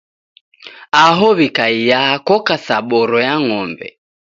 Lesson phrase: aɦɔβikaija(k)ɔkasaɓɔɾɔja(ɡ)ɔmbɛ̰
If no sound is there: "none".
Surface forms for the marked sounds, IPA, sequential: k, ŋ

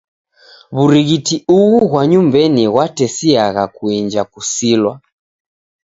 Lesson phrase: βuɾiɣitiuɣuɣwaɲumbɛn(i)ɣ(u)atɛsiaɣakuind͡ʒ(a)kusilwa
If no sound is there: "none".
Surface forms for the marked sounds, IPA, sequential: i, w, a

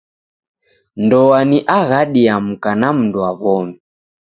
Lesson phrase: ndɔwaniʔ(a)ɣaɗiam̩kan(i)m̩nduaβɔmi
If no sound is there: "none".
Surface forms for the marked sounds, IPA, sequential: a, a

